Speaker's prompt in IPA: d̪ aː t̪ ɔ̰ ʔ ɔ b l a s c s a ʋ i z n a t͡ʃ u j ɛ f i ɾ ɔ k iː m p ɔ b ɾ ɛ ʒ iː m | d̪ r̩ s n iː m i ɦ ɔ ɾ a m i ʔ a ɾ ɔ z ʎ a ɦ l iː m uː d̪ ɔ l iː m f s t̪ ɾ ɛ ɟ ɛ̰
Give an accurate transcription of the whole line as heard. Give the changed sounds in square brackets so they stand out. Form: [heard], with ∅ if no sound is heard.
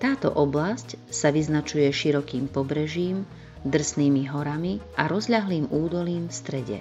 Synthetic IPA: [t̪] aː t̪ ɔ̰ ʔ ɔ b l a s c s a ʋ i z n a t͡ʃ u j ɛ [ʃ] i ɾ ɔ k iː m p ɔ b ɾ ɛ ʒ iː m | d̪ r̩ s n iː m i ɦ ɔ ɾ a m i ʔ a ɾ ɔ z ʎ a ɦ l iː m uː d̪ ɔ l iː m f s t̪ ɾ ɛ ɟ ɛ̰